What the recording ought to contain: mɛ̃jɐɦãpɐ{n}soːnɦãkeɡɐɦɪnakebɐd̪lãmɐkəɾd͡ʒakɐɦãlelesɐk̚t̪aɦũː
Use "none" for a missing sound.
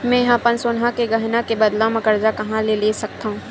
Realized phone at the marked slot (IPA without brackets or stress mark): n